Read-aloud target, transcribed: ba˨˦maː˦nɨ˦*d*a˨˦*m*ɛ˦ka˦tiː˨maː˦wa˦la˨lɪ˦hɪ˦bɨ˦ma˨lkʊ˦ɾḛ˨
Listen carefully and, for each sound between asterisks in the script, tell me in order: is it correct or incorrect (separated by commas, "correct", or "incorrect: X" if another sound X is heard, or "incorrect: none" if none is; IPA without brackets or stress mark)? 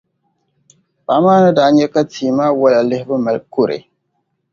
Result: correct, incorrect: ɲ